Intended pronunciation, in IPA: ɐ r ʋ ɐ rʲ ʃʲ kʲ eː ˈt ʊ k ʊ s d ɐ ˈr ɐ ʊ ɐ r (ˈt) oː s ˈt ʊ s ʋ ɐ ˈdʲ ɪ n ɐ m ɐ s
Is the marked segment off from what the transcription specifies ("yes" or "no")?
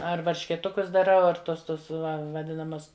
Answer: no